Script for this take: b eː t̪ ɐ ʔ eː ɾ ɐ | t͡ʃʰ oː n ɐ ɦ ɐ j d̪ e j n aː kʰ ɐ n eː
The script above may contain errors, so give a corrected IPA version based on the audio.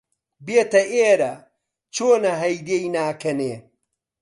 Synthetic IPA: b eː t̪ ɐ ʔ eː ɾ ɐ | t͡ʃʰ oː n ɐ ɦ ɐ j d̪ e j n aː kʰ ɐ n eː